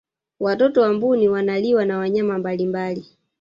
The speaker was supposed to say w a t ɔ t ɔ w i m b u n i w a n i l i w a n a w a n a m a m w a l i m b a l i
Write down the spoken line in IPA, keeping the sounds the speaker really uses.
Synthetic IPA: w a t ɔ t ɔ w a m b u n i w a n a l i w a n a w a ɲ a m a m b a l i m b a l i